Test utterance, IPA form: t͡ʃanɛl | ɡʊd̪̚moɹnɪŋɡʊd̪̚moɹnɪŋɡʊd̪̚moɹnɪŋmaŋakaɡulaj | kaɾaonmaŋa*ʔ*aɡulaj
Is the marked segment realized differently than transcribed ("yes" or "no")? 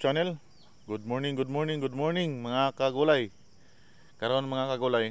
yes